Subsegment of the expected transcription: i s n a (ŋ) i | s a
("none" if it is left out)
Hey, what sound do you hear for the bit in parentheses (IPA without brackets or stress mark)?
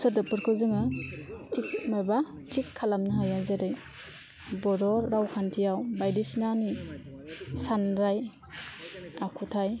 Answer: n